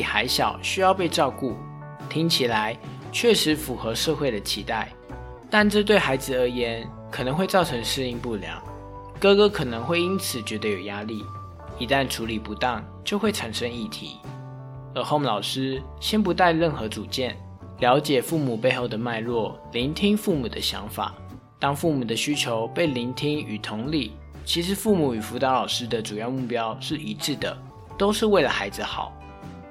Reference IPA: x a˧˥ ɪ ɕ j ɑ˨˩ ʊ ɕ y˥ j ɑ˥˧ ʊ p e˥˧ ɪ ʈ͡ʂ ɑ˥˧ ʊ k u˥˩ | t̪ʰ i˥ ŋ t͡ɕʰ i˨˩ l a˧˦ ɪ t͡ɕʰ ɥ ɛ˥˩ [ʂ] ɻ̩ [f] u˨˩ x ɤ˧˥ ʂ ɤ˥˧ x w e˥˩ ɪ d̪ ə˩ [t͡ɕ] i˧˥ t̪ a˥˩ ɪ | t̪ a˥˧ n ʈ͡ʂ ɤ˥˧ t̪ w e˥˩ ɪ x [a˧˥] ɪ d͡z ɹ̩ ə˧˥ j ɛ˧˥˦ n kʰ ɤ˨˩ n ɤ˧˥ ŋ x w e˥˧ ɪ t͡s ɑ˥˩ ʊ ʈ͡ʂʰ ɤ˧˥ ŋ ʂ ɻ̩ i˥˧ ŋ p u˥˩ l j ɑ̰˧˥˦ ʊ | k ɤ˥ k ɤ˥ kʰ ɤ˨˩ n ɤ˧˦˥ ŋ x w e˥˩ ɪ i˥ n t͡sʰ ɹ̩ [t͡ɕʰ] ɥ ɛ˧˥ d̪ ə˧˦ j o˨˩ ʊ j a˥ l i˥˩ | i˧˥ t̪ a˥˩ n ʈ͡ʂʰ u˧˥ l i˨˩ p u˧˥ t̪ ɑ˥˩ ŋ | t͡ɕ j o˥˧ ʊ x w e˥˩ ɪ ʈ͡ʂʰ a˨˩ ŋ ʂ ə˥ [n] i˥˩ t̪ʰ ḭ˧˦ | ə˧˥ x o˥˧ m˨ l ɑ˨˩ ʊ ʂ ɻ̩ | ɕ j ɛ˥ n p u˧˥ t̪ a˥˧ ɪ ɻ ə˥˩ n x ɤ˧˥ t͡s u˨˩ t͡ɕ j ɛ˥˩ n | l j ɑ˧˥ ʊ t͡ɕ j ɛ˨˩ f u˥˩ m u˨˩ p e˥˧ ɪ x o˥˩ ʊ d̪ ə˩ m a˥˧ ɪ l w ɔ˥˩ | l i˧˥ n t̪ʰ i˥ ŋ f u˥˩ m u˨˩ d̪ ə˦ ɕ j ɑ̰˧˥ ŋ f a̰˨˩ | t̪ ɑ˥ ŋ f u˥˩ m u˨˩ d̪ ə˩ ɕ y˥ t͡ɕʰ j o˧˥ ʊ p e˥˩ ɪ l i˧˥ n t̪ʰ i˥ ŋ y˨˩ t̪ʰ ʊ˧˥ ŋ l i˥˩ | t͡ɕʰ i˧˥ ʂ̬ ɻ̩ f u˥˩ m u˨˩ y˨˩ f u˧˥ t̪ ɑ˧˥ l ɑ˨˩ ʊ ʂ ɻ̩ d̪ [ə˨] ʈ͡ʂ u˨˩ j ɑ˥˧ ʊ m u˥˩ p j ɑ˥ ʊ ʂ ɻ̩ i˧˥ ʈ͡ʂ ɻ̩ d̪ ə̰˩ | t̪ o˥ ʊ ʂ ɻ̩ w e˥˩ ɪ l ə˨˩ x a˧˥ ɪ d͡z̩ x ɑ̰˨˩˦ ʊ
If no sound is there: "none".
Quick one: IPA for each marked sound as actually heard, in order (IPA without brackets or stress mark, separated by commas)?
ʂ, f, t͡ɕʰ, a˧˥, t͡ɕ, ŋ, ə˨